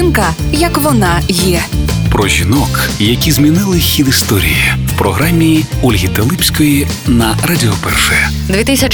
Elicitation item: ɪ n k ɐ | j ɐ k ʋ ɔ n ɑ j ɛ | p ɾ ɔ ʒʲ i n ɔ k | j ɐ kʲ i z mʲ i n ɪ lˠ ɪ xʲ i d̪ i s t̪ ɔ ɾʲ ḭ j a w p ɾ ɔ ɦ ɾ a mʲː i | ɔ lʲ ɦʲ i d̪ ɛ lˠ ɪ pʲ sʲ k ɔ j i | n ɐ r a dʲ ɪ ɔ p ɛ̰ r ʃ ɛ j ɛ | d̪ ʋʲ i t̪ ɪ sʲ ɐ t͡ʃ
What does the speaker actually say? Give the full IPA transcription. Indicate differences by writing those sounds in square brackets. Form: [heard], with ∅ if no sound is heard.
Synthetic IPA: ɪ n k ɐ | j ɐ k ʋ ɔ n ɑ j ɛ | p ɾ ɔ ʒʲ i n ɔ k | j ɐ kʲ i z mʲ i n ɪ lˠ ɪ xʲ i d̪ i s t̪ ɔ ɾʲ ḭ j [i] w p ɾ ɔ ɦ ɾ a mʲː i | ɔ lʲ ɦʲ i [t̪] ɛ lˠ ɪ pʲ sʲ k ɔ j i | n ɐ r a dʲ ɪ ɔ p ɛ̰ r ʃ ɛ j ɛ | d̪ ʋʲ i t̪ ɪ sʲ ɐ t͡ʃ